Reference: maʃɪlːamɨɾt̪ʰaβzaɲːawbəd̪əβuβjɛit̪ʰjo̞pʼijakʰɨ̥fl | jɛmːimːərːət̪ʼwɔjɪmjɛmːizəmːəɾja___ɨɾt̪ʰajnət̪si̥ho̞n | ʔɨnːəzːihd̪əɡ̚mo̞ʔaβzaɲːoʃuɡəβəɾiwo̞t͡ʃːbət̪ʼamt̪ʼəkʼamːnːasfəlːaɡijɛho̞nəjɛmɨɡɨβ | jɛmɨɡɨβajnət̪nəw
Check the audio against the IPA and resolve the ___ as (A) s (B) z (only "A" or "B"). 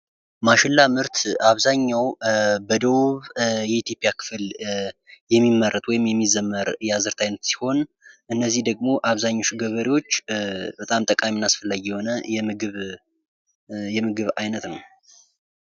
B